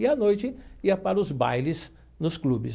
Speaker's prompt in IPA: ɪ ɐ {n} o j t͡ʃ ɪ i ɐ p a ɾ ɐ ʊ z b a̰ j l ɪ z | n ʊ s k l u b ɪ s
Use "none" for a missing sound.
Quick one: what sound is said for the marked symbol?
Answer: n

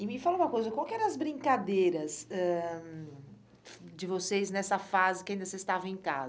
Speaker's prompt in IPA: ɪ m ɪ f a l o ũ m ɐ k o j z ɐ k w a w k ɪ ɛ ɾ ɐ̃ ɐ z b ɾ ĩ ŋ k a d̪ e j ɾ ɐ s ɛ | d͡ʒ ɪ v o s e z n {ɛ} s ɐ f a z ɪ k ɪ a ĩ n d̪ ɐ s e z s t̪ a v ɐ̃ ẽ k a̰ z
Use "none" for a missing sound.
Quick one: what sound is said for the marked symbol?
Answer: ɛ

